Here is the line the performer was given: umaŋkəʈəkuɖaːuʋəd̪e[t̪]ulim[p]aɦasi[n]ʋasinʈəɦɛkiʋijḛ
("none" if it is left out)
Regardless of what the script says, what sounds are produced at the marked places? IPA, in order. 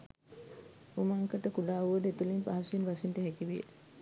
t̪, p, n

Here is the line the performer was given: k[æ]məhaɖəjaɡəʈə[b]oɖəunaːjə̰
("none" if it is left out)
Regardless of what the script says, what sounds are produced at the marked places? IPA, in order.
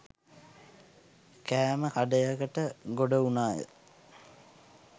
æː, ɡ

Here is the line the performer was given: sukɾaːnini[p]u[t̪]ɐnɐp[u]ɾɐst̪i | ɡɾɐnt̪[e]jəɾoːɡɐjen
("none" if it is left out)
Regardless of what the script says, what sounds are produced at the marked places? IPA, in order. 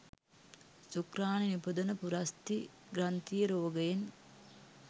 p, d̪, u, i

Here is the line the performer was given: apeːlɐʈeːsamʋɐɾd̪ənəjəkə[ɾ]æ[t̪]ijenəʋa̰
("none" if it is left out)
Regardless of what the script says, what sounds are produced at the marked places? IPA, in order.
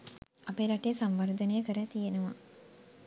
ɾ, t̪

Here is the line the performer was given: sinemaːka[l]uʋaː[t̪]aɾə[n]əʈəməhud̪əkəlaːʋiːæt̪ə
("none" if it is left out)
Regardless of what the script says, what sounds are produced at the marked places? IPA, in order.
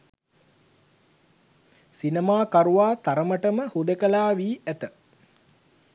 ɾ, t̪, m

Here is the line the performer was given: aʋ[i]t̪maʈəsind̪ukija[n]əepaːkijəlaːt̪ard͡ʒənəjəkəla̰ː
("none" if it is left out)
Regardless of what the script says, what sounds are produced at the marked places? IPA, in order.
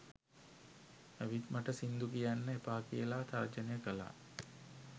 i, nː

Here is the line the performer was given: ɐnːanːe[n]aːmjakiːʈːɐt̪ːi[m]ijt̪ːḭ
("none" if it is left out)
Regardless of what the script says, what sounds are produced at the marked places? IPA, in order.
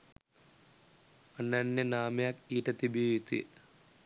n, b

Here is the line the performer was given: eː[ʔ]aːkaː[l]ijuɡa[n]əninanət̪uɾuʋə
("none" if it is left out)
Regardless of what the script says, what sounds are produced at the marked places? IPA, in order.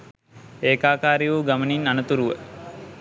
k, ɾ, m

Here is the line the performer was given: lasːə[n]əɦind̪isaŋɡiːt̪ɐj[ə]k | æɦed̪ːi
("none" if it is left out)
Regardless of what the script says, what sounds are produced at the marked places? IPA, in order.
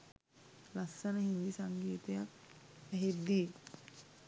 n, a

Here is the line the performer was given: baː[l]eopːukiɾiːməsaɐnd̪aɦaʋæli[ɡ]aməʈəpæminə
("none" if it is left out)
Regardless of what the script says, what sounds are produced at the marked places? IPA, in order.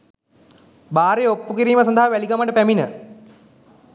ɾ, ɡ

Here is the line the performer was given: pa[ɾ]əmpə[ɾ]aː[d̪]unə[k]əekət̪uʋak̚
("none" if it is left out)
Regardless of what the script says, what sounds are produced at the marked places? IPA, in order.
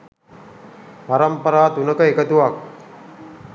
ɾ, ɾ, t̪, k

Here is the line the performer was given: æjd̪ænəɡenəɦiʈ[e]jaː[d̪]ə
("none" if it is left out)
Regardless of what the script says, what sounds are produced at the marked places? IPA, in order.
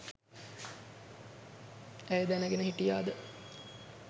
i, d̪

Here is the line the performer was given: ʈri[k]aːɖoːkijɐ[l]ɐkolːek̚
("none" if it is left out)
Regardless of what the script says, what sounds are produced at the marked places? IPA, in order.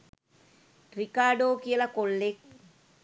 k, l

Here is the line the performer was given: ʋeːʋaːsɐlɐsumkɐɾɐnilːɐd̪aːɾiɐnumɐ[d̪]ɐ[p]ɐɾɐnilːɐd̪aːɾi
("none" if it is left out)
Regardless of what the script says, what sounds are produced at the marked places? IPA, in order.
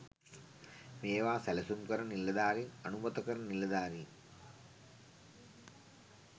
t̪, k

